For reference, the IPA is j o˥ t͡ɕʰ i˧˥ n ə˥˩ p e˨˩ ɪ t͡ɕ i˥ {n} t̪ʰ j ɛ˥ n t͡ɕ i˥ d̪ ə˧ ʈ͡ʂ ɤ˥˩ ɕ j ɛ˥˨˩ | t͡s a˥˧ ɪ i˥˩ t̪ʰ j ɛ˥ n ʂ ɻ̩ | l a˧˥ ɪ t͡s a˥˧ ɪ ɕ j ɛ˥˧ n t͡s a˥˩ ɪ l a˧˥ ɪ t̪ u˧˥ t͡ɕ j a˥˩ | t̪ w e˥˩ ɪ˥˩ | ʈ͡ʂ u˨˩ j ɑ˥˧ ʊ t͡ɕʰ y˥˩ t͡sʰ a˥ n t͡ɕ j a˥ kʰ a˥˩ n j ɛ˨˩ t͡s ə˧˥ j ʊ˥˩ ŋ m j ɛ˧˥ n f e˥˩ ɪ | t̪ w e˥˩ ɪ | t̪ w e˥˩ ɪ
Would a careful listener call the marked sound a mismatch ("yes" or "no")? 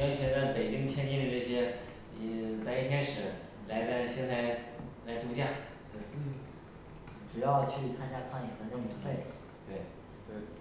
yes